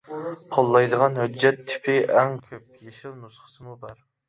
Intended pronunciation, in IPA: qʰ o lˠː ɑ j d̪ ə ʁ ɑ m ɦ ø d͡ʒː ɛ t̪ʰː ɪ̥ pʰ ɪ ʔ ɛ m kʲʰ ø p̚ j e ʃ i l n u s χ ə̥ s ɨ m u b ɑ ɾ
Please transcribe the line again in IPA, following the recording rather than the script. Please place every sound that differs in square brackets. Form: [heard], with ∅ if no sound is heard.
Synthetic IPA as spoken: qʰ o lˠː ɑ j d̪ ə ʁ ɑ [n] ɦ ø d͡ʒː ɛ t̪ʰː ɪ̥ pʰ ɪ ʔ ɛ [ŋ] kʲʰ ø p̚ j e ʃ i l n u s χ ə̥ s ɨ m u b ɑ ɾ